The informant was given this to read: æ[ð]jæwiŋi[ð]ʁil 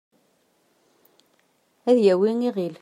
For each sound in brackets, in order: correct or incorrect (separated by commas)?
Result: correct, incorrect